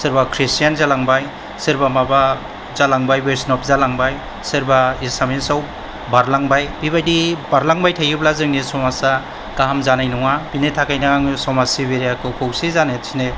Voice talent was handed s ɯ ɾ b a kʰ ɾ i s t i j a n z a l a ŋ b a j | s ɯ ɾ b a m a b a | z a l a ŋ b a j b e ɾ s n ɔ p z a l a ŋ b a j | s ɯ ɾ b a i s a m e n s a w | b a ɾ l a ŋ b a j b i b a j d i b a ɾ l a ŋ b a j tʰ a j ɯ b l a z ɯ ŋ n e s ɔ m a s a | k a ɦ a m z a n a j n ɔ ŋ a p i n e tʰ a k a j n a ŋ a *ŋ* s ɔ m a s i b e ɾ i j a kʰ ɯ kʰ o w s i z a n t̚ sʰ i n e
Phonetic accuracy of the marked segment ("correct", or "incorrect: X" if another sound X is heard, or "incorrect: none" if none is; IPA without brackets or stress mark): correct